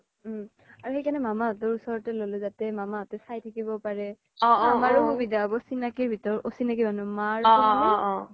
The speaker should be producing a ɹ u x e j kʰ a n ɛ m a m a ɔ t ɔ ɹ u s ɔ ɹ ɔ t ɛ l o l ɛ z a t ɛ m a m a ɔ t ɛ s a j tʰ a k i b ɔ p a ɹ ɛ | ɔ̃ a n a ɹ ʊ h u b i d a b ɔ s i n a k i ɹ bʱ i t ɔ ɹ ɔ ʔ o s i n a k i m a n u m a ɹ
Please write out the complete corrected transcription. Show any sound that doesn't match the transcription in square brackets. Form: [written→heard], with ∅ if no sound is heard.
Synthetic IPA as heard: a ɹ u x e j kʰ a n ɛ m a m a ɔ t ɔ ɹ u s ɔ ɹ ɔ t ɛ l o l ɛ z a t ɛ m a m a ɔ t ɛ s a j tʰ a k i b ɔ p a ɹ ɛ | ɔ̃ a [n→m] a ɹ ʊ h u b i d a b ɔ s i n a k i ɹ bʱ i t ɔ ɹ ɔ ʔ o s i n a k i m a n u m a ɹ